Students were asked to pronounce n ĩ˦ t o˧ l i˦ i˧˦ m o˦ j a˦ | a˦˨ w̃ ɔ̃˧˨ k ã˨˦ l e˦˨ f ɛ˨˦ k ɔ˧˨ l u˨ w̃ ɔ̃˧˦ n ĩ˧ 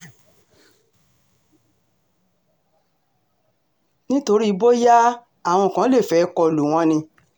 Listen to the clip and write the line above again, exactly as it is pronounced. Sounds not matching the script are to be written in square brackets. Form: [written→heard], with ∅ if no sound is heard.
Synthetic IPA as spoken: n ĩ˦ t o˧ [l→ɾ] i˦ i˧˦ [m→b] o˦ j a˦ | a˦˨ w̃ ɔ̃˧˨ k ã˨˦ l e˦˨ f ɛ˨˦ k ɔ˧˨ l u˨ w̃ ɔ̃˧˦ n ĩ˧